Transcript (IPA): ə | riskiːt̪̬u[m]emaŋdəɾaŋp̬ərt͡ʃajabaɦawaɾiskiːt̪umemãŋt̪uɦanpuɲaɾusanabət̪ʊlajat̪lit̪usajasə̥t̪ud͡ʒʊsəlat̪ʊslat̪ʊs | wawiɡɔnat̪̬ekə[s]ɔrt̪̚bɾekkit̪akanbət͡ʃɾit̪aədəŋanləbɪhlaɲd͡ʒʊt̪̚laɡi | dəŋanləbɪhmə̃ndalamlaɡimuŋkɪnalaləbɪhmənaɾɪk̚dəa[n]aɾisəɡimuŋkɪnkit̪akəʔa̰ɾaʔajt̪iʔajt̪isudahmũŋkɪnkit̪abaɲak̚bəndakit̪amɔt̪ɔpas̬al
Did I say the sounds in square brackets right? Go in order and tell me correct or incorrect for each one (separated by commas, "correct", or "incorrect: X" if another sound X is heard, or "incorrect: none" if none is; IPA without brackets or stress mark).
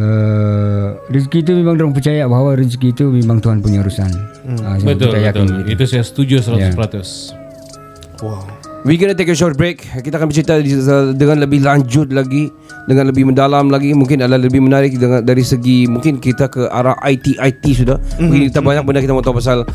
correct, incorrect: ʃ, incorrect: d